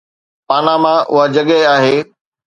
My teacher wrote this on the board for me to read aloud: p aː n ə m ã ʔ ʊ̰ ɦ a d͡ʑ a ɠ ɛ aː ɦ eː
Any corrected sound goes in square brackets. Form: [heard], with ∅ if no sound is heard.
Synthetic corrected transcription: p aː n [a] m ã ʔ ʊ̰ ɦ a d͡ʑ [ɐ] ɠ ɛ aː ɦ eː